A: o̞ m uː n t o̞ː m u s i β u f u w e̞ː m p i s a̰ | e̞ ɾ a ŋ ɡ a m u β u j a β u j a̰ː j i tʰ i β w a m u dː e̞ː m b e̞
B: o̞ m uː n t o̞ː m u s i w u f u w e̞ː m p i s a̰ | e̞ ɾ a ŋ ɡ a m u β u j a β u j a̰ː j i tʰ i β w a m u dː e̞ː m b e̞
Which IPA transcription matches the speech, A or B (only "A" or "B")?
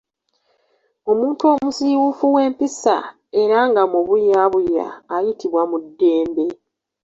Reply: B